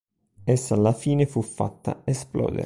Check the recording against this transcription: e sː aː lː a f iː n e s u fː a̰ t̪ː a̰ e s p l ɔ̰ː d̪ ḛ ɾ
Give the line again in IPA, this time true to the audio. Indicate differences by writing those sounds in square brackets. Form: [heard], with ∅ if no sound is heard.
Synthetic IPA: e sː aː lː a f iː n e [f] u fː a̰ t̪ː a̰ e s p l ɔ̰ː d̪ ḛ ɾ